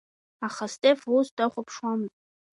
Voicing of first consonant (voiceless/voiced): voiceless